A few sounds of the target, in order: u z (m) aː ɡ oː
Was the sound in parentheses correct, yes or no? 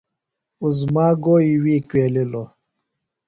yes